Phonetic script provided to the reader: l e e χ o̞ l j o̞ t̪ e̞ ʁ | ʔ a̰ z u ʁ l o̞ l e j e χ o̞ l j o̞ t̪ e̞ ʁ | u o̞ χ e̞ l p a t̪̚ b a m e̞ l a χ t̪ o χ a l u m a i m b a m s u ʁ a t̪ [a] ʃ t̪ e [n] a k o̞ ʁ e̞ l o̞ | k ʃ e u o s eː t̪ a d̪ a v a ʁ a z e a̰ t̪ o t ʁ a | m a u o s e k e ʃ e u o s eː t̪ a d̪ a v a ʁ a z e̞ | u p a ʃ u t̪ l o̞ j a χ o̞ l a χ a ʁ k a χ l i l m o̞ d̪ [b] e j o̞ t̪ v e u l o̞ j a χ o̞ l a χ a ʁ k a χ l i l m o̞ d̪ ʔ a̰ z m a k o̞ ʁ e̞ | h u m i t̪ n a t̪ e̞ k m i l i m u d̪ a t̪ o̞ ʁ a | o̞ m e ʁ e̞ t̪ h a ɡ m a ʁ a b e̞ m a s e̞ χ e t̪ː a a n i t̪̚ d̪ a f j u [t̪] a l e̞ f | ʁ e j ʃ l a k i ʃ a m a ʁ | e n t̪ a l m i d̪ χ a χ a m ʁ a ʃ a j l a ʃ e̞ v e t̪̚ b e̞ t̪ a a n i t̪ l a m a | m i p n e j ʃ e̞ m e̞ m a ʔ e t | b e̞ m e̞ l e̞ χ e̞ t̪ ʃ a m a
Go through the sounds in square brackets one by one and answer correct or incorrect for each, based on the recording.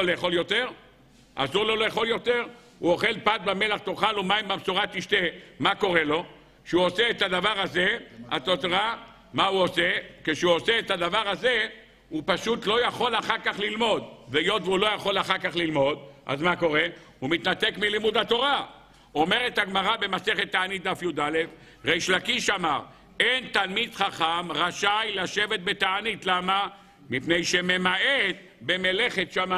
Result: incorrect, incorrect, incorrect, incorrect

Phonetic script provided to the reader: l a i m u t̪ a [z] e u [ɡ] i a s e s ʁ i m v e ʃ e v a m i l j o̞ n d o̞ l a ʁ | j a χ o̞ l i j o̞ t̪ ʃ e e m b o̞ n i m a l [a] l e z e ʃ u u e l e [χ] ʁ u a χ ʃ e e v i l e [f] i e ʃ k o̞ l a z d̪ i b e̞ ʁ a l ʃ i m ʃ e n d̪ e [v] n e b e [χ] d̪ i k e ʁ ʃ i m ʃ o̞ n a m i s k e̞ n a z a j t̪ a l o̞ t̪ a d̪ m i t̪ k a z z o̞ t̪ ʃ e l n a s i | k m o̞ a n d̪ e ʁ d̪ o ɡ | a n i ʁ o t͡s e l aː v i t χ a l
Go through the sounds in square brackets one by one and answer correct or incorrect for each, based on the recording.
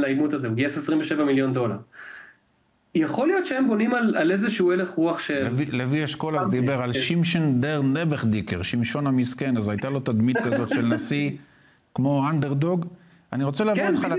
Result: correct, correct, correct, correct, incorrect, incorrect, correct

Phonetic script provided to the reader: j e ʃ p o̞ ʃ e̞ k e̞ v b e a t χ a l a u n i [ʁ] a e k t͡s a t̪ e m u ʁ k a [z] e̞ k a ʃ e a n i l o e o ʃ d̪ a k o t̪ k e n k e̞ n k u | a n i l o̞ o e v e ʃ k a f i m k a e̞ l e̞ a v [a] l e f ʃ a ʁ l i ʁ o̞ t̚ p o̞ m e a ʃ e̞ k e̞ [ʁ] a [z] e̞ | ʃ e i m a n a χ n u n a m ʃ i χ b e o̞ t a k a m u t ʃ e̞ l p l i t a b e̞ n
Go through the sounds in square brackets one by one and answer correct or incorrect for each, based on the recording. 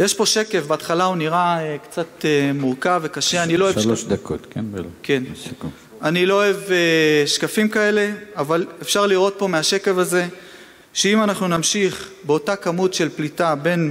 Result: correct, incorrect, correct, incorrect, correct

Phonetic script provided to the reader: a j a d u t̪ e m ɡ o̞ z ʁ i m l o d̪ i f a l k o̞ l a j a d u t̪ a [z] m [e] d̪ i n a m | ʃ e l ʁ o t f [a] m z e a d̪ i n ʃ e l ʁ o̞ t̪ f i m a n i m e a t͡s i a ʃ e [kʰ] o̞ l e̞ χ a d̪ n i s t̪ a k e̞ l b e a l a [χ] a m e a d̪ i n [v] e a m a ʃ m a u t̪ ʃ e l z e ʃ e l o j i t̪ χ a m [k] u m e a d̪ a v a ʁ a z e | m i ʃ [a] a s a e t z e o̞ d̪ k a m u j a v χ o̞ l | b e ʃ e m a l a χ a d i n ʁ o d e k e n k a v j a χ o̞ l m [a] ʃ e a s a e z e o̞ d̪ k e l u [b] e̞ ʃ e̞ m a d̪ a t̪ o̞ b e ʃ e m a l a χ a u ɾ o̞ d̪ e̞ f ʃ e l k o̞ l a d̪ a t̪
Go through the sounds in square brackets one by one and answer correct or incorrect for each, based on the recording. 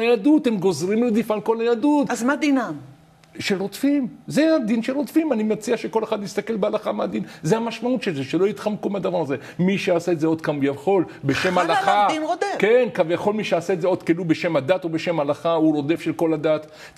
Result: correct, incorrect, incorrect, incorrect, correct, incorrect, correct, incorrect, incorrect, correct

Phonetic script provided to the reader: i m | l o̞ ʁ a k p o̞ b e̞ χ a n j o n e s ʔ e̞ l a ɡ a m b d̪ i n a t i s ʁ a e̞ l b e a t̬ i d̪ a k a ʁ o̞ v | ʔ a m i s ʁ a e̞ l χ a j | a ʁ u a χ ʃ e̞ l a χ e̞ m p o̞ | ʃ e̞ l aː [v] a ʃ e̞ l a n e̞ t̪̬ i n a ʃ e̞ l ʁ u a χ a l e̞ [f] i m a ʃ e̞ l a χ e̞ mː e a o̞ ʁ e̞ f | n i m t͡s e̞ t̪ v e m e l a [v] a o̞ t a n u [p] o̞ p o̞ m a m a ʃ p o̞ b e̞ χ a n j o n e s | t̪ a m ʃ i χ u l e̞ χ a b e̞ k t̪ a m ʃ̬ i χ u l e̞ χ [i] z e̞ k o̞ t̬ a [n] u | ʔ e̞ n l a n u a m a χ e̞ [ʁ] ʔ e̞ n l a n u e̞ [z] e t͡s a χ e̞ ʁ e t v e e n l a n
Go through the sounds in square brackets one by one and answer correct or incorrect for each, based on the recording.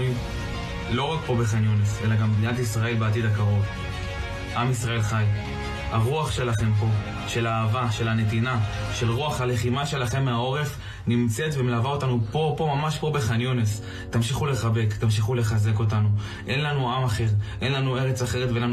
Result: correct, incorrect, correct, correct, incorrect, correct, correct, incorrect

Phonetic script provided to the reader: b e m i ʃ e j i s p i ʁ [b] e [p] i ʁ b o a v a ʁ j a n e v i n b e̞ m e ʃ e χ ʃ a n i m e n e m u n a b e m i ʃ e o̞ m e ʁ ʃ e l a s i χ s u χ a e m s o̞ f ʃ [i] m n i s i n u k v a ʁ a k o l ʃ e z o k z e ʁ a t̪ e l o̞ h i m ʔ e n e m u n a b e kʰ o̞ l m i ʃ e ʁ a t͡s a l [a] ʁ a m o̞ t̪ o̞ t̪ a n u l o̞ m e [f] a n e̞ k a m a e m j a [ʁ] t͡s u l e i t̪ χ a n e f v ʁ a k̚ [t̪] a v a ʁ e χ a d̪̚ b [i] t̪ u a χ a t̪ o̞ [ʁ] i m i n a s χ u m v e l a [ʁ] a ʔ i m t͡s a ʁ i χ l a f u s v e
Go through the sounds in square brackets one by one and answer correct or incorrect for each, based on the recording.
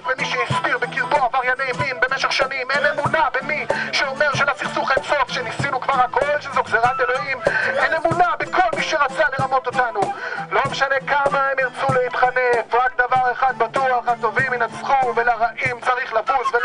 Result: correct, incorrect, incorrect, incorrect, incorrect, correct, incorrect, incorrect, incorrect, correct

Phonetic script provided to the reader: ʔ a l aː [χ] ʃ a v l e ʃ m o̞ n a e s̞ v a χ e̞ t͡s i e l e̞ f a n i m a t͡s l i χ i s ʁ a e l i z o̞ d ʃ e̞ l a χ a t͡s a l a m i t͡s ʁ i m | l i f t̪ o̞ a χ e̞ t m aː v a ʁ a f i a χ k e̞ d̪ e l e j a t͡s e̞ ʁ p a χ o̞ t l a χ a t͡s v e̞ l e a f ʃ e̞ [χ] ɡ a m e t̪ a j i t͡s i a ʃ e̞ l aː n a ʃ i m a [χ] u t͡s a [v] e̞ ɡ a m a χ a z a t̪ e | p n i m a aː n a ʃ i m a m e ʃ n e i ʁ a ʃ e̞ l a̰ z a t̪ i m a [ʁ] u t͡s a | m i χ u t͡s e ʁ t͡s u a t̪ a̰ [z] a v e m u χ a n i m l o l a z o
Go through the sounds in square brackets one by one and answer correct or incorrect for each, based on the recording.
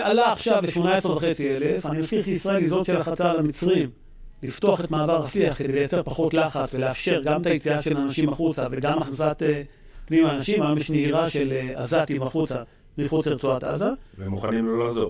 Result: correct, incorrect, correct, correct, incorrect, correct

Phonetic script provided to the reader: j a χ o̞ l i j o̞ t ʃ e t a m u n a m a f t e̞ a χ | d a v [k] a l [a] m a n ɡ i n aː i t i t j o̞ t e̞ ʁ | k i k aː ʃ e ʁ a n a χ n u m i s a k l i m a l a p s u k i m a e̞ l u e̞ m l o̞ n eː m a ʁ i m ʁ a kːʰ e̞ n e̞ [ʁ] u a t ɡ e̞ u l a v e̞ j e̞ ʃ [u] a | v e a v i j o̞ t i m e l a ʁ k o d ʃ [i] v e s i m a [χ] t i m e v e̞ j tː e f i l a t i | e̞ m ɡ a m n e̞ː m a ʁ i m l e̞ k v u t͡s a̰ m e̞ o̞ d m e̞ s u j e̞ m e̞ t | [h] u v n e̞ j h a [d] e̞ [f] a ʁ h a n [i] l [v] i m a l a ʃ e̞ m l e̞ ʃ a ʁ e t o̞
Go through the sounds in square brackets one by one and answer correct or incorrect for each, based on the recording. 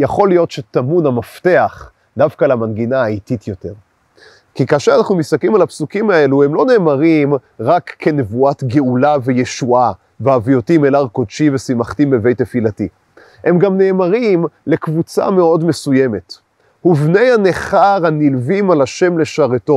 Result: correct, correct, incorrect, correct, correct, correct, correct, incorrect, incorrect, correct, correct

